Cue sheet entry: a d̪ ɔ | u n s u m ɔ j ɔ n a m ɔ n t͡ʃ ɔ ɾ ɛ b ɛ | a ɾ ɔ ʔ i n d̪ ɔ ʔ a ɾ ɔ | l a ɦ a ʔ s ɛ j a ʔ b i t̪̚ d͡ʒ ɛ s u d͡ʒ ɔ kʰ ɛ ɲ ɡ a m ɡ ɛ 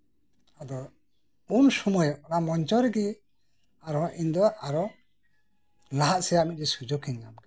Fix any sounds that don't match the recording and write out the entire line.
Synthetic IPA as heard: a d̪ ɔ | u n s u m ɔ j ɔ n a m ɔ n t͡ʃ ɔ ɾ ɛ ɡ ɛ | a ɾ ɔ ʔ i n d̪ ɔ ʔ a ɾ ɔ | l a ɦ a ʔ s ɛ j a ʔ m i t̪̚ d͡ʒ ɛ s u d͡ʒ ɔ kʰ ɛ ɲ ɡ a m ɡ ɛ